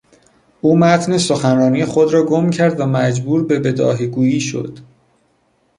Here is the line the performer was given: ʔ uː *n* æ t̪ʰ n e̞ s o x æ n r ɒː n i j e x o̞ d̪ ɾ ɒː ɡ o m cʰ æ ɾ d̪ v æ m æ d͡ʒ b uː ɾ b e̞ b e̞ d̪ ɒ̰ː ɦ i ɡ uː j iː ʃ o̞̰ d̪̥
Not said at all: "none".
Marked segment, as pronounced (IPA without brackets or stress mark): m